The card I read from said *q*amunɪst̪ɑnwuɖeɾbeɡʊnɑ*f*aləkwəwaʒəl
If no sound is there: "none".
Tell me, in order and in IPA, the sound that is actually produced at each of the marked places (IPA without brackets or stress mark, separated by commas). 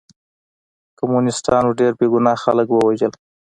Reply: k, x